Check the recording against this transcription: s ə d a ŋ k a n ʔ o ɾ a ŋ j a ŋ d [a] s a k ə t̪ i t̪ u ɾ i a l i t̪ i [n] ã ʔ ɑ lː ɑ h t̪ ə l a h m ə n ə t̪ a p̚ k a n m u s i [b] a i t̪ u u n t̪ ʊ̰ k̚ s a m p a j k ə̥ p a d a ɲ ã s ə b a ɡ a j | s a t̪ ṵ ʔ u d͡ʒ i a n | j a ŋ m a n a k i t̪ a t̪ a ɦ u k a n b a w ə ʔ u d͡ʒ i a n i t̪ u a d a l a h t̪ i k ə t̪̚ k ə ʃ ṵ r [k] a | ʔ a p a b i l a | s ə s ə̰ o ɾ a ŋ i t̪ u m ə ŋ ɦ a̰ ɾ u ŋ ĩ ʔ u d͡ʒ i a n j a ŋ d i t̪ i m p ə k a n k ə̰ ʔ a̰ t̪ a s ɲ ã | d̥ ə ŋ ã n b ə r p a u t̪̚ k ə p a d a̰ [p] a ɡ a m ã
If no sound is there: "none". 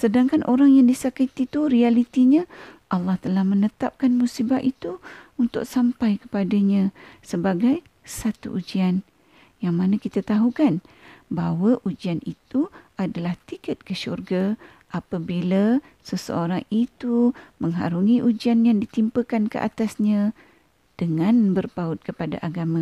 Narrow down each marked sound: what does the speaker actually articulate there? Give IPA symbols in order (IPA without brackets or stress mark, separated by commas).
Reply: i, ɲ, b, ɡ, ʔ